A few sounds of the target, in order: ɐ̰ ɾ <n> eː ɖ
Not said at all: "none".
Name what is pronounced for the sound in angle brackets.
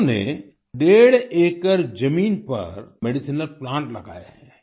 m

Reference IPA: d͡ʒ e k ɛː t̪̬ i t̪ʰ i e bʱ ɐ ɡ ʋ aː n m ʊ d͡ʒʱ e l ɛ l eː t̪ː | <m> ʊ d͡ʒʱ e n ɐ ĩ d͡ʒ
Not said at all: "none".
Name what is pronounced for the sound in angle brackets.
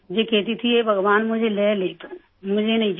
m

